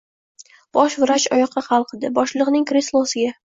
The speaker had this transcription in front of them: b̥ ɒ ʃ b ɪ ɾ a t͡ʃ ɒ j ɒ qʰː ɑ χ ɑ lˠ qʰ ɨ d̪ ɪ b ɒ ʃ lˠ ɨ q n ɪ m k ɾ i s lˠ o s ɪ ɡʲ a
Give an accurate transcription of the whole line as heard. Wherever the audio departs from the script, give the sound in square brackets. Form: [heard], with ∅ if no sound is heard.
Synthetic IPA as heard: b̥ ɒ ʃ [v] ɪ ɾ a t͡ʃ ɒ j ɒ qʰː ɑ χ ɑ lˠ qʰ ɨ d̪ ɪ b ɒ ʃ lˠ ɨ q n ɪ [ŋ] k ɾ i s lˠ o s ɪ ɡʲ a